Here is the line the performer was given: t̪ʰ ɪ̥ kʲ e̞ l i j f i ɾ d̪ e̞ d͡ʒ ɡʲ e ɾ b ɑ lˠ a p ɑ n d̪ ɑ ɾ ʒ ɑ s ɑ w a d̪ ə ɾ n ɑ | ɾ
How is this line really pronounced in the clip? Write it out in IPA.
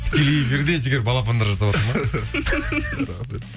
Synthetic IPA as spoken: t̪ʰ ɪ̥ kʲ e̞ l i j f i ɾ d̪ e̞ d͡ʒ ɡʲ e ɾ b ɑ lˠ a p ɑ n d̪ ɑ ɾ ʒ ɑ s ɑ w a t̪ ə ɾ m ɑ | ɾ